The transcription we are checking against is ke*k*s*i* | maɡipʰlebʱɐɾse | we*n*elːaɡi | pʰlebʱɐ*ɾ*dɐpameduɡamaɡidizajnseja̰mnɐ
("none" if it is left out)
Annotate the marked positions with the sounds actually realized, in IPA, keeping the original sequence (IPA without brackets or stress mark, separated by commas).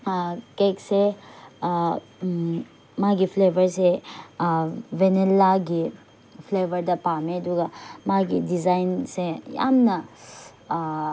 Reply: k, e, n, ɾ